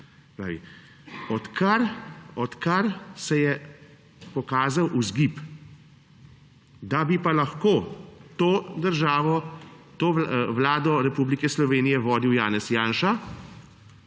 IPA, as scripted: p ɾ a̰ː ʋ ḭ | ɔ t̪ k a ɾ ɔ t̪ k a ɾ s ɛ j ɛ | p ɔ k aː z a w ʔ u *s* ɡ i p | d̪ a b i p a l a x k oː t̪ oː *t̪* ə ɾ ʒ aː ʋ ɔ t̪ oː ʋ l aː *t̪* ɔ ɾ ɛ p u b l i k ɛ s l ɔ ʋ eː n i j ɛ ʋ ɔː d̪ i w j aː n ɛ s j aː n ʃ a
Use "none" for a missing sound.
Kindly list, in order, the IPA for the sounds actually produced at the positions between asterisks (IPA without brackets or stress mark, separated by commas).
z, d̪, d̪